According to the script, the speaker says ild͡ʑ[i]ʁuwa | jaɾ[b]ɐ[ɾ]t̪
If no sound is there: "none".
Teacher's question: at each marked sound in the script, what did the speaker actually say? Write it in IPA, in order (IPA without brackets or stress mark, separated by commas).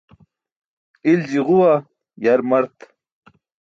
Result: i, m, ɾ